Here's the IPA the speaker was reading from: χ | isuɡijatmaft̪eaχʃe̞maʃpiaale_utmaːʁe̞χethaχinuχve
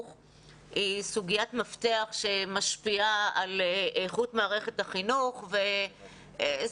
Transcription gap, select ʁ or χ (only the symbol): χ